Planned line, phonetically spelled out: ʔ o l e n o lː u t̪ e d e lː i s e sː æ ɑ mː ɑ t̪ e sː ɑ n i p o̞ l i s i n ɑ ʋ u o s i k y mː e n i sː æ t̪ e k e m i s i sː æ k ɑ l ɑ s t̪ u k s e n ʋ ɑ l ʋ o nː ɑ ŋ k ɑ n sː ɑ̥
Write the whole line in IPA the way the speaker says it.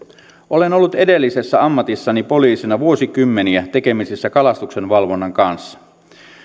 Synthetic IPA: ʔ o l e n o lː u t̪ e d e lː i s e sː æ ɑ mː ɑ t̪ i sː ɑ n i p o̞ l iː s i n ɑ ʋ u o s i k y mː e n i æ t̪ e k e m i s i sː æ k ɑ l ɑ s t̪ u k s e n ʋ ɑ l ʋ o nː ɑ ŋ k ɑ n sː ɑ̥